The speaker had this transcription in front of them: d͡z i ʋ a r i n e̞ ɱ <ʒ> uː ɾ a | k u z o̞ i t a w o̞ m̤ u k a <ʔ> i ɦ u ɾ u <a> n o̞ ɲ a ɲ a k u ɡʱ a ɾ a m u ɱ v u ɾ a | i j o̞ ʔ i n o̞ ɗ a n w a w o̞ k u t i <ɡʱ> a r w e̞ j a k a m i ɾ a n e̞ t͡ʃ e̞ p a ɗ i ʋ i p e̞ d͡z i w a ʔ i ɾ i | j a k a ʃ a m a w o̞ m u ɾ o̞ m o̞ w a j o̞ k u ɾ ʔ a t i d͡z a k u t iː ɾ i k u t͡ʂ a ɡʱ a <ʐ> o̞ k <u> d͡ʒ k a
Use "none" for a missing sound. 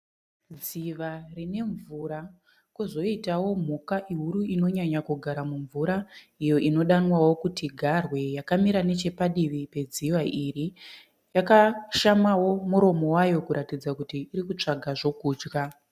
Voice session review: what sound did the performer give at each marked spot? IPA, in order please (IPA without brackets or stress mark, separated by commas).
v, ʔ, i, ɡʱ, ʐ, uː